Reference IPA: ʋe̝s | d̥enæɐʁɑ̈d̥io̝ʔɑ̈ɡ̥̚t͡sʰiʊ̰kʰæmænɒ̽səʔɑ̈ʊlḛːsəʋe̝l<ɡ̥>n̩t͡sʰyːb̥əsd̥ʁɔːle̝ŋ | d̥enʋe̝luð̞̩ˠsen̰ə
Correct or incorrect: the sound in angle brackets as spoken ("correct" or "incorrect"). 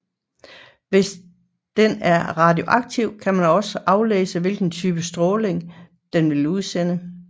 correct